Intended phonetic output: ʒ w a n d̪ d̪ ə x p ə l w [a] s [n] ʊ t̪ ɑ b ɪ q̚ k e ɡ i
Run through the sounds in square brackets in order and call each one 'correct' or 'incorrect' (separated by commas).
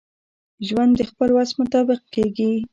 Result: correct, incorrect